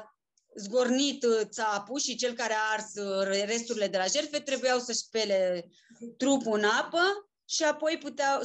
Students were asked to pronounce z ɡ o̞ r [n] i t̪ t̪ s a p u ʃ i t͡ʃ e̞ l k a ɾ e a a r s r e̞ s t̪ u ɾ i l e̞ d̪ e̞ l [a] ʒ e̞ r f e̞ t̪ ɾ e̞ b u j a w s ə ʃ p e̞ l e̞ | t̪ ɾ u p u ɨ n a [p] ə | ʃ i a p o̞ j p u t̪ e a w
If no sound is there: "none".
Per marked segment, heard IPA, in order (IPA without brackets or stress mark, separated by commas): n, a, p